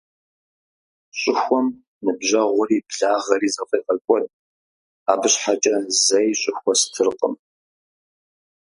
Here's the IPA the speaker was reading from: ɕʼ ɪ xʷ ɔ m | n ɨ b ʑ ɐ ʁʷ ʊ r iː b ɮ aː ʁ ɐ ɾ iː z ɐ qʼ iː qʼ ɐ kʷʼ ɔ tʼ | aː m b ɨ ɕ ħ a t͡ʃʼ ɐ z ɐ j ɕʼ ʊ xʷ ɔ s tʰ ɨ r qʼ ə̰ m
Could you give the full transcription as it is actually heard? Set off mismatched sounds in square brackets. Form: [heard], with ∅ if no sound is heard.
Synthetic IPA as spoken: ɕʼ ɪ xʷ ɔ m | n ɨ b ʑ ɐ ʁʷ ʊ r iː b ɮ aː ʁ ɐ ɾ iː z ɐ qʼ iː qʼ ɐ kʷʼ ɔ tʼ | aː [∅] b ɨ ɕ ħ a t͡ʃʼ ɐ z ɐ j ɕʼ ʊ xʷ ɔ s tʰ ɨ r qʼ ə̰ m